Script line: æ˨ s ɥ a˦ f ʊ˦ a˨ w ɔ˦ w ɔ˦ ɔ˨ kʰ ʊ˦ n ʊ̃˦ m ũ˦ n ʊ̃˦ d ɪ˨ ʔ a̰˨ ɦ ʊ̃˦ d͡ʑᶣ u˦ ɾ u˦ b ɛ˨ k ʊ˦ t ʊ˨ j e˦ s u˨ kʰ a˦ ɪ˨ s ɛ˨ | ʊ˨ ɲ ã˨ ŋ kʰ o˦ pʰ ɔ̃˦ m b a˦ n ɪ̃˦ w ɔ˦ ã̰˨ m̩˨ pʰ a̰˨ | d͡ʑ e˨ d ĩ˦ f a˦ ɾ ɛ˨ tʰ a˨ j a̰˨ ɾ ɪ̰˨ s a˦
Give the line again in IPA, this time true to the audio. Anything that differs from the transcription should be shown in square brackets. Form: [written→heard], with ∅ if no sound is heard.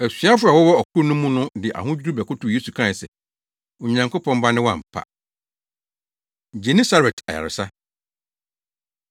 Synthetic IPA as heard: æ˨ s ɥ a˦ f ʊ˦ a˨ w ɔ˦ w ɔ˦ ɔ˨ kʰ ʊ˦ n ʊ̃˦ m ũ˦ n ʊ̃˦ d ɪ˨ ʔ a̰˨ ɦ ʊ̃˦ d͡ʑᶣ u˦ ɾ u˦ b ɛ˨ k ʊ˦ t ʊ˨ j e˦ s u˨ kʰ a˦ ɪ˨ s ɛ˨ | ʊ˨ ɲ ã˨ ŋ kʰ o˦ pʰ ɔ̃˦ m b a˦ n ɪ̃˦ w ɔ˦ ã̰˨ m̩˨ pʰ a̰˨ | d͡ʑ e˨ [d→n] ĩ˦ [f→s] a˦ ɾ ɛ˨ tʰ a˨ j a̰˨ ɾ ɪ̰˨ s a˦